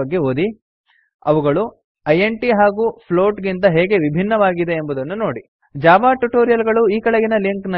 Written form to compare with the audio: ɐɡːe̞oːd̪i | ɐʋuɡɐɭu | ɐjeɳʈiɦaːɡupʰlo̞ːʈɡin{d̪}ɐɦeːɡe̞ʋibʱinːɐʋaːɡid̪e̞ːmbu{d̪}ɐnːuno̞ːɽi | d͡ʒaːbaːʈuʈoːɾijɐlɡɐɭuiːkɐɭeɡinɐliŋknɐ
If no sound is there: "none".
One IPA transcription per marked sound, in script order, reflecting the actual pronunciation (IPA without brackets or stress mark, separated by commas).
t̪, d̪